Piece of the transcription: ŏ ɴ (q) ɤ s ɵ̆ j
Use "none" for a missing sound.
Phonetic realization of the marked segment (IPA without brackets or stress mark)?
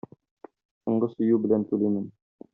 ɢ